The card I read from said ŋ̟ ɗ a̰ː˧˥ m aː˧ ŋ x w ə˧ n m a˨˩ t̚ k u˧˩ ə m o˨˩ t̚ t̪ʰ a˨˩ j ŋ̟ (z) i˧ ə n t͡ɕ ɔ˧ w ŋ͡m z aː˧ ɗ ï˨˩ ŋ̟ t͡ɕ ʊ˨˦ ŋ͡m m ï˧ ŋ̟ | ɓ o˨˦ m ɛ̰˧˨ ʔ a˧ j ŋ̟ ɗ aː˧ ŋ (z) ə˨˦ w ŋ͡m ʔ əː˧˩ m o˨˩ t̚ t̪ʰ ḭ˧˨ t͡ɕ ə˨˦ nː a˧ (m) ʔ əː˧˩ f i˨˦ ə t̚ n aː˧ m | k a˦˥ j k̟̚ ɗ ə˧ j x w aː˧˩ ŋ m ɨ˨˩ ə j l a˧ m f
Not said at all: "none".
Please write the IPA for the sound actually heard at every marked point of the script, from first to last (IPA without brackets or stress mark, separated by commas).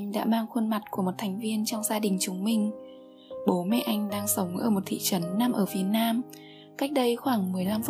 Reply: v, s, m